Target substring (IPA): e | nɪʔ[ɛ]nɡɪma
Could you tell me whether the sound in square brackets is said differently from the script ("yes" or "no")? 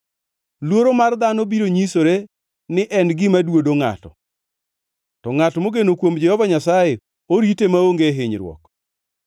no